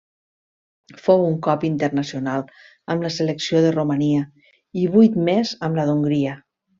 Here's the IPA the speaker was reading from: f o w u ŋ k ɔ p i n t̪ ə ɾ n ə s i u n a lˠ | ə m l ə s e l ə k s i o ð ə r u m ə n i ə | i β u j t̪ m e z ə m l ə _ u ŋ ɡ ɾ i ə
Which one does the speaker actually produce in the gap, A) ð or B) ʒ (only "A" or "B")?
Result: A